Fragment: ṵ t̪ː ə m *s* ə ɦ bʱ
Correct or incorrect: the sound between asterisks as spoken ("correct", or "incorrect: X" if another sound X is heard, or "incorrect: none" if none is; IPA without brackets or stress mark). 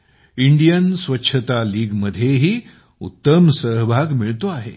correct